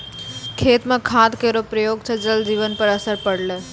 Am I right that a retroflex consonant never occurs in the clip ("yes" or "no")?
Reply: no